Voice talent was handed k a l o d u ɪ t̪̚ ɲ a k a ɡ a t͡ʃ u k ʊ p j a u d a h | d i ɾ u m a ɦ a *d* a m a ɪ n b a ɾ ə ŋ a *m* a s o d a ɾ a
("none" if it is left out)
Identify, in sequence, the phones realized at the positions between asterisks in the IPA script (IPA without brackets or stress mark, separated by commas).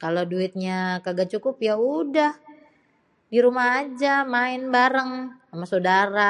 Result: d͡ʒ, m